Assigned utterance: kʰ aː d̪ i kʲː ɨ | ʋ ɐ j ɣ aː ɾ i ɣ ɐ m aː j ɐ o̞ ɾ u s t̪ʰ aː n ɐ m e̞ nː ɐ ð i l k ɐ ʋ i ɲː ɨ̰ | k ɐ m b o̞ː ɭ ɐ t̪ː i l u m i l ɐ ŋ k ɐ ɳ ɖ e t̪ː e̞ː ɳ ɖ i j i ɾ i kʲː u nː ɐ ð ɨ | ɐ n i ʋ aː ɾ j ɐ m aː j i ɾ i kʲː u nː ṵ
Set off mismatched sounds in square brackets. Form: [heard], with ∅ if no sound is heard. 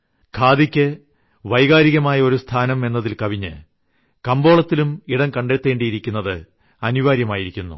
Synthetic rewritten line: kʰ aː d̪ i kʲː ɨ | ʋ ɐ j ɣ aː ɾ i ɣ ɐ m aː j ɐ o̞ ɾ u s t̪ʰ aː n ɐ m e̞ nː ɐ ð i l k ɐ ʋ i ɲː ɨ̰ | k ɐ m b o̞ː ɭ ɐ t̪ː i l u m i [ɽ] ɐ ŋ k ɐ ɳ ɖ e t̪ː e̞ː ɳ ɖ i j i ɾ i kʲː u nː ɐ ð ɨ | ɐ n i ʋ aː ɾ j ɐ m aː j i ɾ i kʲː u nː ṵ